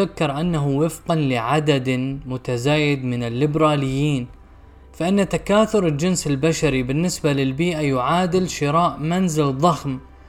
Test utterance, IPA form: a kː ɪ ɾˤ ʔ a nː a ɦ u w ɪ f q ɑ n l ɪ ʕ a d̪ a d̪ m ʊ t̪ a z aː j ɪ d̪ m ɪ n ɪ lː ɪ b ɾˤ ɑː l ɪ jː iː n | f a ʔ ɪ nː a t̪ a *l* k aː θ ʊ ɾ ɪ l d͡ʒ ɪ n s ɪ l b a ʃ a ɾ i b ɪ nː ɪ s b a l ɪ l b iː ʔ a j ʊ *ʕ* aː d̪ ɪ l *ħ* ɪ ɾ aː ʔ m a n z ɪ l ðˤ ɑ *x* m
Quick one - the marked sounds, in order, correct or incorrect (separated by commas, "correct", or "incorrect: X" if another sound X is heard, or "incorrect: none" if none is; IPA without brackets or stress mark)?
incorrect: none, correct, incorrect: ʃ, correct